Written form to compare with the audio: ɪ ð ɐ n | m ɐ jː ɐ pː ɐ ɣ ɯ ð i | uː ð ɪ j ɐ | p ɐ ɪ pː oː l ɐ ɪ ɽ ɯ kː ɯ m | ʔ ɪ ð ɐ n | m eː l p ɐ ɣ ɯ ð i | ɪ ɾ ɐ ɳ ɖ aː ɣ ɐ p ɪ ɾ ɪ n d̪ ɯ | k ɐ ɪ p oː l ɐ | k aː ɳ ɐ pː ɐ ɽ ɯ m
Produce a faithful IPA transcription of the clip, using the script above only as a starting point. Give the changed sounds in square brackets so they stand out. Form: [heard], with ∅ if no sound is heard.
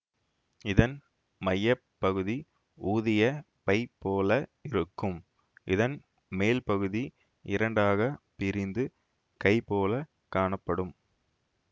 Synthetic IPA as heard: ɪ ð ɐ n | m ɐ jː ɐ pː ɐ ɣ ɯ ð i | uː ð ɪ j ɐ | p ɐ ɪ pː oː l ɐ ɪ [ɾ] ɯ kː ɯ m | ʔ ɪ ð ɐ n | m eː l p ɐ ɣ ɯ ð i | ɪ ɾ ɐ ɳ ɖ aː ɣ ɐ p ɪ ɾ ɪ n d̪ ɯ | k ɐ ɪ p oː l ɐ | k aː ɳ ɐ pː ɐ ɽ ɯ m